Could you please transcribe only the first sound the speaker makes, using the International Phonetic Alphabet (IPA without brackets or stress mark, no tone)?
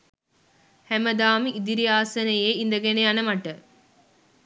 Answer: h